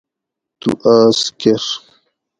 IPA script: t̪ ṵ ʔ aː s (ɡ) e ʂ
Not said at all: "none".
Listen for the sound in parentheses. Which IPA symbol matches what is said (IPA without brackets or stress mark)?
k